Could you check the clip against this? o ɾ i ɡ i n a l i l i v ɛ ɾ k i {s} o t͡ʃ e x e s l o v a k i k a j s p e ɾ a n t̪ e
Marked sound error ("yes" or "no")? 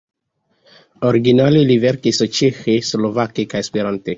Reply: no